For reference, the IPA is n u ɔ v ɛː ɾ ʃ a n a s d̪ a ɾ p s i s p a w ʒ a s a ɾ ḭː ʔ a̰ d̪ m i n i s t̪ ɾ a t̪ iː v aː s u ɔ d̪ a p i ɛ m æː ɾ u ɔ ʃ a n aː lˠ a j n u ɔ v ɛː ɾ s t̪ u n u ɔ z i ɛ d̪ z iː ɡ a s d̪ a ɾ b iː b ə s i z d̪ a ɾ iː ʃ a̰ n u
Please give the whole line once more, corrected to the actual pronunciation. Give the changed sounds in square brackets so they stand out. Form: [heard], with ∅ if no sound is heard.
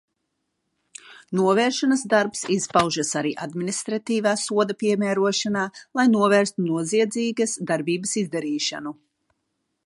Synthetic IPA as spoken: n u ɔ v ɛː ɾ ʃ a n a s d̪ a ɾ p s i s p a w ʒ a s a ɾ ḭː ʔ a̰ d̪ m i n i s t̪ ɾ a t̪ iː v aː s u ɔ d̪ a p i ɛ m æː ɾ u ɔ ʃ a n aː lˠ a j n u ɔ v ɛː ɾ s t̪ u n u ɔ z i ɛ d̪ z iː ɡ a s d̪ a ɾ b iː b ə s i z d̪ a ɾ iː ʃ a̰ n u